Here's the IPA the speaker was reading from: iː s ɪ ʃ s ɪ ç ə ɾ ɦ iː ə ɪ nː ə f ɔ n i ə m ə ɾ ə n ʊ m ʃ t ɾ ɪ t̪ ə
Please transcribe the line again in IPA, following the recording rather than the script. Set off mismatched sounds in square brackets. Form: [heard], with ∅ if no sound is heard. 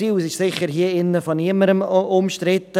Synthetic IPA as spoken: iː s ɪ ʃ s ɪ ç ə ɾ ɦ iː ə ɪ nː ə f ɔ n i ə m ə ɾ ə [m] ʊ m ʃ t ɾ ɪ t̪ ə